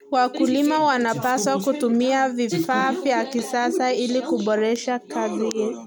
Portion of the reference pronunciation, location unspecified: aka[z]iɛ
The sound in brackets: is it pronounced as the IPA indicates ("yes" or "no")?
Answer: yes